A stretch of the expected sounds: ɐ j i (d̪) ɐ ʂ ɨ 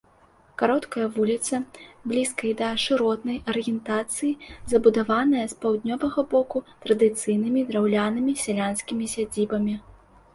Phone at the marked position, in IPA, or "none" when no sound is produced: d̪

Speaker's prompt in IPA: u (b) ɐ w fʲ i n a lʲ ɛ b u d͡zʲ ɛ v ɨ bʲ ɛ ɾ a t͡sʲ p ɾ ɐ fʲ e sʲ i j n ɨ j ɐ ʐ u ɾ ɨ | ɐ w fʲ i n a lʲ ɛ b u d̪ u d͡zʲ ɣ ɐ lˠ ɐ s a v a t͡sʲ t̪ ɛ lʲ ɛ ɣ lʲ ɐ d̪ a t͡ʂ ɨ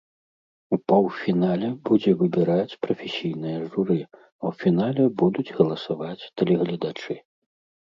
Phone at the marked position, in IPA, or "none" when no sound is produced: p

